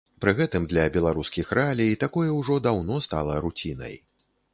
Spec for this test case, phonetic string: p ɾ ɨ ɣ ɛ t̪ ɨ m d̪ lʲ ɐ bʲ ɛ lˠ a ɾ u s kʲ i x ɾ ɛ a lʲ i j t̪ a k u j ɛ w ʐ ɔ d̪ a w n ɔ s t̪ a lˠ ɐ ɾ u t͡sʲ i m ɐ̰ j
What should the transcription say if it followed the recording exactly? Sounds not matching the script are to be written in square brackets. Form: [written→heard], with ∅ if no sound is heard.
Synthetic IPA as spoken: p ɾ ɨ ɣ ɛ t̪ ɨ m d̪ lʲ ɐ bʲ ɛ lˠ a ɾ u s kʲ i x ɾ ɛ a lʲ i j t̪ a k [u→ɔ] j ɛ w ʐ ɔ d̪ a w n ɔ s t̪ a lˠ ɐ ɾ u t͡sʲ i [m→n] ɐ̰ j